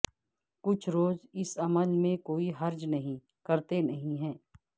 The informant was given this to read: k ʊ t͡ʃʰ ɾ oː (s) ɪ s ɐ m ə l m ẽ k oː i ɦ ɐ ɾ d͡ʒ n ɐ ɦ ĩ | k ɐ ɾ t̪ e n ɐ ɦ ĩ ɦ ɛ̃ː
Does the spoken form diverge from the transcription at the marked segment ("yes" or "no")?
yes